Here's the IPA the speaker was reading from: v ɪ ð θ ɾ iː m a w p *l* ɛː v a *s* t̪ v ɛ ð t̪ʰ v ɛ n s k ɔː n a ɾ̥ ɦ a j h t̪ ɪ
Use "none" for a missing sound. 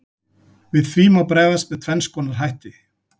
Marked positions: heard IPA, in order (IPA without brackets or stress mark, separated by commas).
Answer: ɾ, s